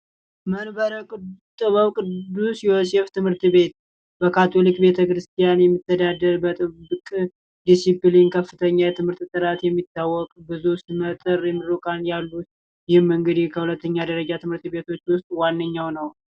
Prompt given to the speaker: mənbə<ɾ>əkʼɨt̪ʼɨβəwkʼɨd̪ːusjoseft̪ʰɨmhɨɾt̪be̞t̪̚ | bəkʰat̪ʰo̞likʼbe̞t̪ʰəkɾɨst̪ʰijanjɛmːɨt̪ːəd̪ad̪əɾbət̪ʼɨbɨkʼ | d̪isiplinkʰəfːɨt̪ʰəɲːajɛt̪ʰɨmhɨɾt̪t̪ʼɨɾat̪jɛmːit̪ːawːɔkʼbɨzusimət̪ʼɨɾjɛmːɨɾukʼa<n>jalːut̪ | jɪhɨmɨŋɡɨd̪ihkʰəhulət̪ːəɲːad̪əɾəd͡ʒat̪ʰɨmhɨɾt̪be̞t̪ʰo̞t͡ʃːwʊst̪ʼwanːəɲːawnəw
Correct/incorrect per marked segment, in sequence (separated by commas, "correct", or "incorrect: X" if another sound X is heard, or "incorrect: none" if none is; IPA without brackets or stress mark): correct, correct